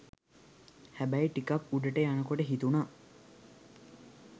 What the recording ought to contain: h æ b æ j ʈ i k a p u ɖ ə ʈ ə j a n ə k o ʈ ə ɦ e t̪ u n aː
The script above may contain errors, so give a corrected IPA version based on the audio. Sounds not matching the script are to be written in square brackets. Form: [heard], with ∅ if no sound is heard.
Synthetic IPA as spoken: h æ b æ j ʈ i k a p u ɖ ə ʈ ə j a n ə k o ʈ ə ɦ [i] t̪ u n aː